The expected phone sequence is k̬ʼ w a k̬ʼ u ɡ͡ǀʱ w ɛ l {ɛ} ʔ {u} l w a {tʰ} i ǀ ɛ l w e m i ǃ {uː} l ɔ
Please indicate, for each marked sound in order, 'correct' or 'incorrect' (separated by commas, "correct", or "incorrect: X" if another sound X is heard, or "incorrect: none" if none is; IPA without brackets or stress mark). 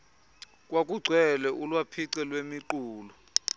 correct, correct, incorrect: pʰ, correct